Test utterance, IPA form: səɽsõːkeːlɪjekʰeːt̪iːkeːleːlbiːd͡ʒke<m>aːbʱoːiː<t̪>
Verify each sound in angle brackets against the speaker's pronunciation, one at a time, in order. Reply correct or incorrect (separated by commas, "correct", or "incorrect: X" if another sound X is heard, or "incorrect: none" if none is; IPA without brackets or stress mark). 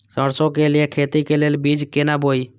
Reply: incorrect: n, incorrect: none